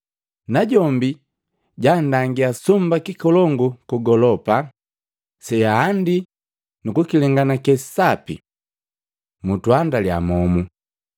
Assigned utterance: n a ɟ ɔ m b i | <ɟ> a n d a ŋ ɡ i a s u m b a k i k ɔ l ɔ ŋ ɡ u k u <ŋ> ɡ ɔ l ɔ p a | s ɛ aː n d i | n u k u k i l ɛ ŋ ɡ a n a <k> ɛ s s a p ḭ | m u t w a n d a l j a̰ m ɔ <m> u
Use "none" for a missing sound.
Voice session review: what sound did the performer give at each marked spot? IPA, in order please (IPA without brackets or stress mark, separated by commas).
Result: ɟ, none, k, m